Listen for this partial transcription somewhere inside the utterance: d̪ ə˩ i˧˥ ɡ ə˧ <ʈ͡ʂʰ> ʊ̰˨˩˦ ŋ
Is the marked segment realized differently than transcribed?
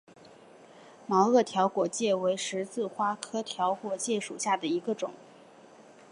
yes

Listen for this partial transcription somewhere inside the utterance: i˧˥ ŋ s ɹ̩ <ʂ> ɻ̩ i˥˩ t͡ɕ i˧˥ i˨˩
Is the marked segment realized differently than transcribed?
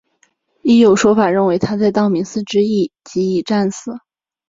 yes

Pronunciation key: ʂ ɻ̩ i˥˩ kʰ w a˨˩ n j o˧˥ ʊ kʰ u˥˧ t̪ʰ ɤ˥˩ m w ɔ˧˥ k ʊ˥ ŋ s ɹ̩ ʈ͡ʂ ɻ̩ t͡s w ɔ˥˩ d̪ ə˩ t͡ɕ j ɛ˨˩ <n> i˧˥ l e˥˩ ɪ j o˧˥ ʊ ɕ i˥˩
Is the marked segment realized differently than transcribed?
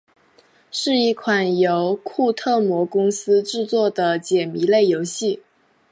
yes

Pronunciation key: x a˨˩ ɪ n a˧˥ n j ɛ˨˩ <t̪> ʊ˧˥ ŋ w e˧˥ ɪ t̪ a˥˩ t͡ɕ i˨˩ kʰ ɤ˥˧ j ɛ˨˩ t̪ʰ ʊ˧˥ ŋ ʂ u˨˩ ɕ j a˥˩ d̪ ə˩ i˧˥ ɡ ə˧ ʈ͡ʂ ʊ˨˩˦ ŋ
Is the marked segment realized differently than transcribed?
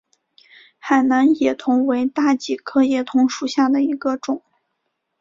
yes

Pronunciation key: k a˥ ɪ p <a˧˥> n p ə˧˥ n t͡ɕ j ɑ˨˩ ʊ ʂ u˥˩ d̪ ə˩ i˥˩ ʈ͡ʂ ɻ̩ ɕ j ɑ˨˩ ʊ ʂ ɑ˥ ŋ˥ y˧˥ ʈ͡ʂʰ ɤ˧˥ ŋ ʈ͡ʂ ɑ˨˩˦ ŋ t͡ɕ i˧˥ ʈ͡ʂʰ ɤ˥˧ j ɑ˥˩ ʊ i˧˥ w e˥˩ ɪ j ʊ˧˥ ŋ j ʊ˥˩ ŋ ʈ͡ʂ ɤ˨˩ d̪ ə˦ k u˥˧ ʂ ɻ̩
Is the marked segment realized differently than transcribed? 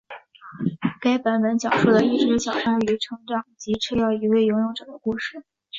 no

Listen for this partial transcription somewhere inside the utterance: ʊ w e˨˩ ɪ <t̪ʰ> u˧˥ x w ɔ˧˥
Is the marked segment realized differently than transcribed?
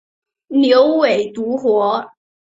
yes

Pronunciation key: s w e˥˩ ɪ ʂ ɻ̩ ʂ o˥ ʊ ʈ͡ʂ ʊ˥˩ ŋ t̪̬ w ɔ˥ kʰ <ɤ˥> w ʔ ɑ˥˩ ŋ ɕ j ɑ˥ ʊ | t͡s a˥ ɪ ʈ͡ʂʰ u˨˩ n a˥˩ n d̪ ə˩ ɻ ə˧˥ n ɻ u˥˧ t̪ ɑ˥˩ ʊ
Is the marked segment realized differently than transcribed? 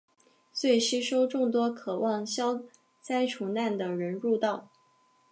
yes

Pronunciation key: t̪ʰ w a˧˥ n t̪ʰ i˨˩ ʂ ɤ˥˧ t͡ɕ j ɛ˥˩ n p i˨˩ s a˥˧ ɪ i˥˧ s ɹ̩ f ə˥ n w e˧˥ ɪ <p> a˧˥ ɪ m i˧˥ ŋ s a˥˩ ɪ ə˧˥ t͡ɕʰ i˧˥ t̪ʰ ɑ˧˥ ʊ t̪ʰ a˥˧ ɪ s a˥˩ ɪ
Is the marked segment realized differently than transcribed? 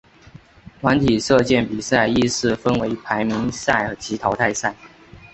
yes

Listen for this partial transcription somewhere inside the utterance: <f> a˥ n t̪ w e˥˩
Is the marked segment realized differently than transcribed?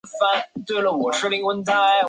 no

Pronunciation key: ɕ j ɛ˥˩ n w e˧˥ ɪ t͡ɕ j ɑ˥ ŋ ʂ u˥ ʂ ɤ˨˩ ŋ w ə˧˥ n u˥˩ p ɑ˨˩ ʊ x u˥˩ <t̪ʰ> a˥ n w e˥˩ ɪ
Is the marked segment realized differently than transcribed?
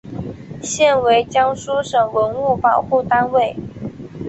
yes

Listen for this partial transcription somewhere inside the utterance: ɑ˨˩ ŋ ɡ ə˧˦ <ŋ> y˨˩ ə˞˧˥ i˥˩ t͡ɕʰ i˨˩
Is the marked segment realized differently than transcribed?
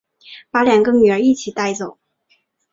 yes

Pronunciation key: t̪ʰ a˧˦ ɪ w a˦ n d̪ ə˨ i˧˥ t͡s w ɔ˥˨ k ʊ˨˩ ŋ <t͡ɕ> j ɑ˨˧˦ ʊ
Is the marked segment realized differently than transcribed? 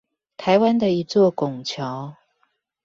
yes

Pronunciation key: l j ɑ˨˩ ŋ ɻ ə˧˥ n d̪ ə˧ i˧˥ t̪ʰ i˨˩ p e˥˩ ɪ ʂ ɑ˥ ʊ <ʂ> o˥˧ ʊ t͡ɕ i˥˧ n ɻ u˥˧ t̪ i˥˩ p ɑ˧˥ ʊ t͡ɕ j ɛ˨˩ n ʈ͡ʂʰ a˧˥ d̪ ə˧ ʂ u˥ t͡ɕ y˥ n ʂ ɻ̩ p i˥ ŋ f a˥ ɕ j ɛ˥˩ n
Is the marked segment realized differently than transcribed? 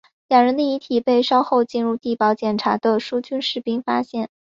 yes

